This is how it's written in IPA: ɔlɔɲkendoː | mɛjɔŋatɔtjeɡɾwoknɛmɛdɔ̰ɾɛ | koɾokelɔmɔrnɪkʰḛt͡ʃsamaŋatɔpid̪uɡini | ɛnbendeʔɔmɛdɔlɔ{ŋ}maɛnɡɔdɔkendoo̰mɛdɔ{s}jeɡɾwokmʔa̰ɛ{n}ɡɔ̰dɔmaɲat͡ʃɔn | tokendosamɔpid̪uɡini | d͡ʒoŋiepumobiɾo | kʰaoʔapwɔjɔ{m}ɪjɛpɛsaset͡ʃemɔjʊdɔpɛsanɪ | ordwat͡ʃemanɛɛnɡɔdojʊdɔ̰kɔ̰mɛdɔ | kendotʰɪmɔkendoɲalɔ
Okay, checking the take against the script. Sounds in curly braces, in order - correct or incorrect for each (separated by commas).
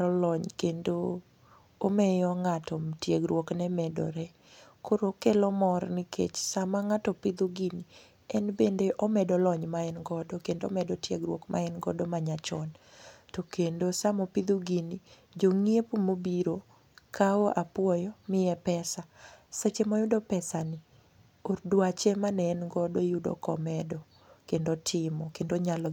incorrect, incorrect, correct, correct